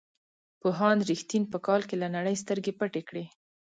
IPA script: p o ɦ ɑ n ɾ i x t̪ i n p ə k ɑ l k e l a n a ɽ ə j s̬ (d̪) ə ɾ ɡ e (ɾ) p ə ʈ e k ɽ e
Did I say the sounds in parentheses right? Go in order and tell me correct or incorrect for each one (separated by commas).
incorrect, incorrect